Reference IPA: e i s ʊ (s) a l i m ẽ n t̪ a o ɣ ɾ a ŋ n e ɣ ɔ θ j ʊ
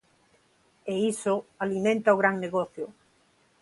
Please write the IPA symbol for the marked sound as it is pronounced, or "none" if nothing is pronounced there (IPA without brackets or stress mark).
none